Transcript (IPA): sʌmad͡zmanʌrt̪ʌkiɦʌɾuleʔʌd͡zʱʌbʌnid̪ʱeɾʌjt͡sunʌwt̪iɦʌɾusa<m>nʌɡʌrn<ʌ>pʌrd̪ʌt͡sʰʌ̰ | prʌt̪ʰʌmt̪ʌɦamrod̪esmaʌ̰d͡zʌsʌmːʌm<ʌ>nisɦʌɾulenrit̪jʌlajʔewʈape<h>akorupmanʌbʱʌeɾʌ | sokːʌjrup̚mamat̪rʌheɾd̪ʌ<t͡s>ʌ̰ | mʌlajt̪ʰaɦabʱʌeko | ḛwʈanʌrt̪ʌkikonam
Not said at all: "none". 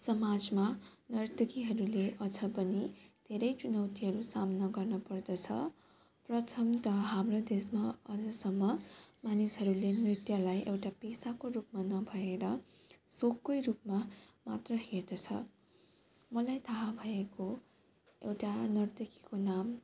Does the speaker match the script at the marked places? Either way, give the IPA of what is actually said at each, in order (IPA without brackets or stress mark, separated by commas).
m, ʌ, a, s, t͡sʰ